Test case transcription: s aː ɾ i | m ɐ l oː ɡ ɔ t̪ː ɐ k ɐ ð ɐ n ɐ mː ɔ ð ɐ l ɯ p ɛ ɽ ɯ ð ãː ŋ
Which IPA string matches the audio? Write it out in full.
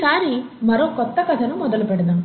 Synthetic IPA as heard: s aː ɾ i | m ɐ ɾ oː k ɔ t̪ː ɐ k ɐ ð ɐ n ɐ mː ɔ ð ɐ l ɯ p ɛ ɽ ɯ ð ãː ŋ